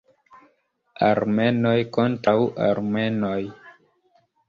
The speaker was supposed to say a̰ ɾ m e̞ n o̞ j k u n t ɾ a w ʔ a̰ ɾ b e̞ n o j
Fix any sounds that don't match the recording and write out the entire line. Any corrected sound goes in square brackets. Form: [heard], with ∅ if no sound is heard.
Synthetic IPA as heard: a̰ ɾ m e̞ n o̞ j k [o] n t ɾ a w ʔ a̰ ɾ [m] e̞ n o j